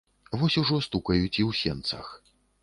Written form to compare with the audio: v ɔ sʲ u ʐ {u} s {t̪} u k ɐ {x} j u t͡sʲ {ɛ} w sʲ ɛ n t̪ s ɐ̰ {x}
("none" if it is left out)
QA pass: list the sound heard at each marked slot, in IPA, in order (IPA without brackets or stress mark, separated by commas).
ɔ, t̪, none, i, x